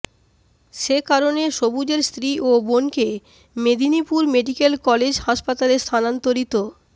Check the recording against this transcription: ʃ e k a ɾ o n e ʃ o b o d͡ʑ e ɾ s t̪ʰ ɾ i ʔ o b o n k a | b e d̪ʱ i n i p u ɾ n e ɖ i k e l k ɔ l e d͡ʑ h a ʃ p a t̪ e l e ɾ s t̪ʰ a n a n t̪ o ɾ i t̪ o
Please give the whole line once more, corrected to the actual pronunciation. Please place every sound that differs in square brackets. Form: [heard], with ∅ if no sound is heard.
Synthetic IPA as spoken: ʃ e k a ɾ o n e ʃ o b [u] d͡ʑ e ɾ s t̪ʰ ɾ i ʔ o b o n k [e] | [m] e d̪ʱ i n i p u ɾ [m] e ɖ i k e l k ɔ l e d͡ʑ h a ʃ p a t̪ [a] l e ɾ s t̪ʰ a n a n t̪ o ɾ i t̪ o